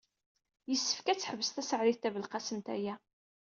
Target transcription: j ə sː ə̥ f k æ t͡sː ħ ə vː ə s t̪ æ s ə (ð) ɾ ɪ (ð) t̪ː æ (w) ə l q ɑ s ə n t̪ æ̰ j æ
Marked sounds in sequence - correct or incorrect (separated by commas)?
incorrect, incorrect, incorrect